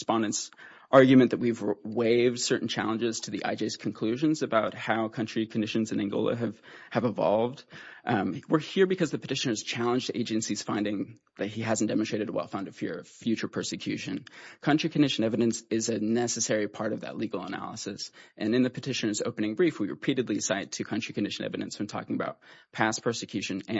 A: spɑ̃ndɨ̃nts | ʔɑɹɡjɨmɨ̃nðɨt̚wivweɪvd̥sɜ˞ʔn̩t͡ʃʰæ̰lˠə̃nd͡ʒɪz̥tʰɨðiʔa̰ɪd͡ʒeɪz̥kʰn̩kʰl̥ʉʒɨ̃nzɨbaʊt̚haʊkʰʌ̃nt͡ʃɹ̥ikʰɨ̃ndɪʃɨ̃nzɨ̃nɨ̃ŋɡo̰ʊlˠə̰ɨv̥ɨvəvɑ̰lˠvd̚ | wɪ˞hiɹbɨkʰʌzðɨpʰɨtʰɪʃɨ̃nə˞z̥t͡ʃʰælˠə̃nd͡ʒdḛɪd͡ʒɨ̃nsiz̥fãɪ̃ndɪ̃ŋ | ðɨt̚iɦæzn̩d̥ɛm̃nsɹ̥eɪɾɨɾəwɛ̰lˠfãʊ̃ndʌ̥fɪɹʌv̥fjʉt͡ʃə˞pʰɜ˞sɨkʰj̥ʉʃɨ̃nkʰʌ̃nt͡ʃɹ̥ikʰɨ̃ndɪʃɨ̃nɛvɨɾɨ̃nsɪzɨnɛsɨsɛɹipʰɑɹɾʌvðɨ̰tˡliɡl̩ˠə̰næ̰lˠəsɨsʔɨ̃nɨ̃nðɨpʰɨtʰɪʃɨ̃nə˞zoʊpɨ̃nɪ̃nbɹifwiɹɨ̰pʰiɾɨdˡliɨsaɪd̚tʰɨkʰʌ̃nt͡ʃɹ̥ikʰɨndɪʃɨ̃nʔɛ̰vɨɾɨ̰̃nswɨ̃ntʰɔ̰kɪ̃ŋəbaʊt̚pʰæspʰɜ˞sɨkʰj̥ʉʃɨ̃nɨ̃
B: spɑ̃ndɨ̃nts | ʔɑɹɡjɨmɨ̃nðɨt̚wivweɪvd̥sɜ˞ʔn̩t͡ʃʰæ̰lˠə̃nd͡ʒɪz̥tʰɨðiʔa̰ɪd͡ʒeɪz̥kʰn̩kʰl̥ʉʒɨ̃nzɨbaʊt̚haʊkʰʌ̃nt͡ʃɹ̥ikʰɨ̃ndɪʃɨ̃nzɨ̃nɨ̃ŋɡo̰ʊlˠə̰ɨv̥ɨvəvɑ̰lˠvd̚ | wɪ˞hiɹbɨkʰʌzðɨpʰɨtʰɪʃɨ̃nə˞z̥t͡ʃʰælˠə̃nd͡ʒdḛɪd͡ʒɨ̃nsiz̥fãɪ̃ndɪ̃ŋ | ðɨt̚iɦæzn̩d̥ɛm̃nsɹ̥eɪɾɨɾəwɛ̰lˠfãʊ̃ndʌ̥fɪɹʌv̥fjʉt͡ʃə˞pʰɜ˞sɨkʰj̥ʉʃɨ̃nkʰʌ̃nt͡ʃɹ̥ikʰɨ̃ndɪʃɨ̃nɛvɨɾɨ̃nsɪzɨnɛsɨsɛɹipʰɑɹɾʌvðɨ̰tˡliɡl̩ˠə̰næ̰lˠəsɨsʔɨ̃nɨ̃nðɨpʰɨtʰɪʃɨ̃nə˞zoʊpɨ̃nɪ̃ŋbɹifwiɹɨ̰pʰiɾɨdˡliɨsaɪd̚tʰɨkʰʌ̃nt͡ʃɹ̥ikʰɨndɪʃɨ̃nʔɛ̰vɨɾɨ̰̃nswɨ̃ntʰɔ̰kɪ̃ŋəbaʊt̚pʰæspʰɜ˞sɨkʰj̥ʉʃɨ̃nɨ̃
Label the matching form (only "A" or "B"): B